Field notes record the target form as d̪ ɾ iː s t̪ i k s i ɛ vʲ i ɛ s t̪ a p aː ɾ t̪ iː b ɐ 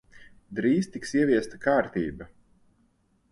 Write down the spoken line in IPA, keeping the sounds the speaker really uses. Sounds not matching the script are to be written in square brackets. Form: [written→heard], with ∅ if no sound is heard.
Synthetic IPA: d̪ ɾ iː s t̪ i k s i ɛ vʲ i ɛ s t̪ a [p→k] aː ɾ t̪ iː b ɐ